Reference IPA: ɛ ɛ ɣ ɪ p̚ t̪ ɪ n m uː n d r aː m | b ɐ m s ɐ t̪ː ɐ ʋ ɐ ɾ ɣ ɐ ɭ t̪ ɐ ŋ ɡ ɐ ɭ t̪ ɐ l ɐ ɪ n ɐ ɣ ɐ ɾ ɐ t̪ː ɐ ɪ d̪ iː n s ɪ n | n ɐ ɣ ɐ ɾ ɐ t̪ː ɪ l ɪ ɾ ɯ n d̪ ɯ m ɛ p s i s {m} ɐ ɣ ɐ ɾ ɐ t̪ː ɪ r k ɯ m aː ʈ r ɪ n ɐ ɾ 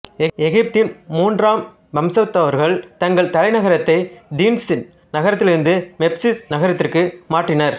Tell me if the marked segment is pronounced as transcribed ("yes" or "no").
no